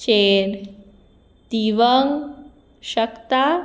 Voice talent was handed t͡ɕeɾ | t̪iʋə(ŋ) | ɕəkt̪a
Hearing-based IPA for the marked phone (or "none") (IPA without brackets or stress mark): ŋ